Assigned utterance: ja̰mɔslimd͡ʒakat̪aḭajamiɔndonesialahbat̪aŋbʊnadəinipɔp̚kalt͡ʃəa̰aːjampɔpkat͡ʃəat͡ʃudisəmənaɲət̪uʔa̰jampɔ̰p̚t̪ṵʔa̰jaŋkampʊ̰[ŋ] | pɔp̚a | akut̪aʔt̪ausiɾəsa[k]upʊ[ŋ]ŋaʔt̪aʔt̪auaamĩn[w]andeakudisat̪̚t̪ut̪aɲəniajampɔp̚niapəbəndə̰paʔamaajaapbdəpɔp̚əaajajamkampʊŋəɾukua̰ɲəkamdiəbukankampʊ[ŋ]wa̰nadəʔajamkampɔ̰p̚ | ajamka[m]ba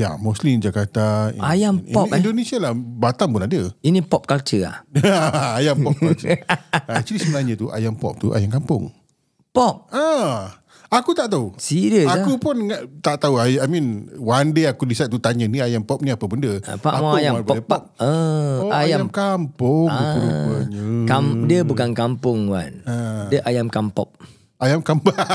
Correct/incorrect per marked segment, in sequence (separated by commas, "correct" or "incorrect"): correct, correct, incorrect, correct, correct, correct